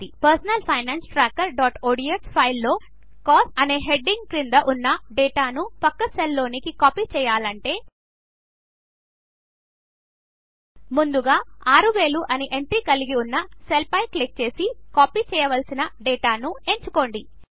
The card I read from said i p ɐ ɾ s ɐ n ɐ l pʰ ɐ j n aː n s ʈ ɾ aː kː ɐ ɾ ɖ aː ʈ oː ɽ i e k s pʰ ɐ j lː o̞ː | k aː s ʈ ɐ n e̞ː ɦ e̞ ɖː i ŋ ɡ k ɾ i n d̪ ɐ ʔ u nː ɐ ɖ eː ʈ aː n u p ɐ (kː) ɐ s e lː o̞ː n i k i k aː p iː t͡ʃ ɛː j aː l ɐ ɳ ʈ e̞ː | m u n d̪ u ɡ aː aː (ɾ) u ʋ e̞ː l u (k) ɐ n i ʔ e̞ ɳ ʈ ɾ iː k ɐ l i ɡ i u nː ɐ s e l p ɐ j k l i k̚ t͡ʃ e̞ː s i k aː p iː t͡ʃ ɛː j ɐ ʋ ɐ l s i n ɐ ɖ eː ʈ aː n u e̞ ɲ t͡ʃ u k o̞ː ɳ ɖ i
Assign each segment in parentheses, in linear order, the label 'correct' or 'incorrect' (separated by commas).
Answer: correct, correct, incorrect